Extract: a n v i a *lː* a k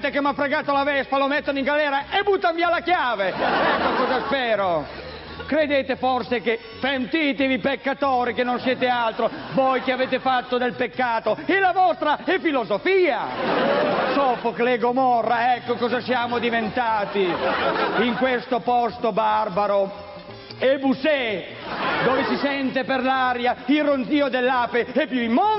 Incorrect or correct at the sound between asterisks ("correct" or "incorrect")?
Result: incorrect